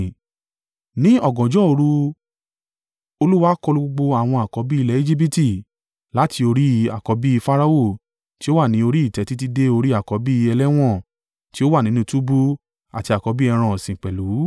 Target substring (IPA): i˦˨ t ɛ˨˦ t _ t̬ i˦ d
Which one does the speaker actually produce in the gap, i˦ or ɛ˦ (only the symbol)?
i˦